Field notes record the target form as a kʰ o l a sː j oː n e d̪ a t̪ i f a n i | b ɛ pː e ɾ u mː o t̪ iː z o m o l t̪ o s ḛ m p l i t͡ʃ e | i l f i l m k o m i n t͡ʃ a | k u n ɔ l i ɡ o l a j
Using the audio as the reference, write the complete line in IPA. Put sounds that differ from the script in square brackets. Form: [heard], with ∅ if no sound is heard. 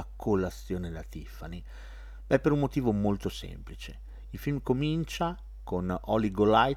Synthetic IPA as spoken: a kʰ o l a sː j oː n e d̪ a t̪ i f a n i | b ɛ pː e ɾ u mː o t̪ iː [v] o m o l t̪ o s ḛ m p l i t͡ʃ e | i l f i l m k o m i n t͡ʃ a | k [o] n ɔ l i ɡ o l a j